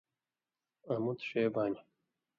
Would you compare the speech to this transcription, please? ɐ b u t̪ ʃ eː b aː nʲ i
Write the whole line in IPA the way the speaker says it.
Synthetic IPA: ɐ m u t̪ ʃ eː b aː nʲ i